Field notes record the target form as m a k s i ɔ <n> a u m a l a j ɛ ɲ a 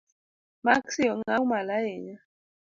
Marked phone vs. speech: incorrect: ŋ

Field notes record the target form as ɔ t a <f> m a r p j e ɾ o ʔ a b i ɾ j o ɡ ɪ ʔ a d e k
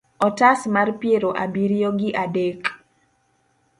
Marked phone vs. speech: incorrect: s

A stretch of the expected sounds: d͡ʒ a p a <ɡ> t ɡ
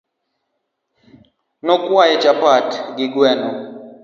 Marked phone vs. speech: incorrect: none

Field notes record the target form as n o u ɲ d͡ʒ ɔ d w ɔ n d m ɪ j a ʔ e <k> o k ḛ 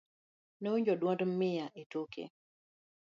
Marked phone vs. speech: incorrect: t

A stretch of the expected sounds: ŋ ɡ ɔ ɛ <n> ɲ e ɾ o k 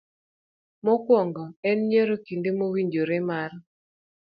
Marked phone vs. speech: correct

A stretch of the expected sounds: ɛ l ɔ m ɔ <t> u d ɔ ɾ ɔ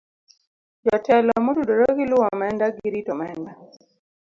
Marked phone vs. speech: correct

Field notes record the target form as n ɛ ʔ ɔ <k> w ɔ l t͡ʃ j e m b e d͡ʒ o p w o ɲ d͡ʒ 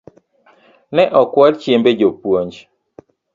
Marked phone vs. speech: correct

